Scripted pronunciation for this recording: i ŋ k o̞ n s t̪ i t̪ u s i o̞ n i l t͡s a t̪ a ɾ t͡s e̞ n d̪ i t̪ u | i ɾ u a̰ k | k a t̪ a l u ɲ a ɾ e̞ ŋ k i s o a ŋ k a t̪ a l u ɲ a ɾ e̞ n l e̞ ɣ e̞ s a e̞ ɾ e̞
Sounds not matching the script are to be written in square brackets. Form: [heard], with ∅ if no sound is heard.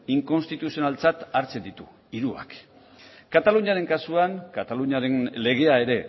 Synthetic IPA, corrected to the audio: i ŋ k o̞ n s t̪ i t̪ u s i o̞ n [a] l t͡s a t̪ a ɾ t͡s e̞ n d̪ i t̪ u | i ɾ u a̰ k | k a t̪ a l u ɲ a ɾ e̞ ŋ k [a] s [u] a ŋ k a t̪ a l u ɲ a ɾ e̞ n l e̞ ɣ e̞ [∅] a e̞ ɾ e̞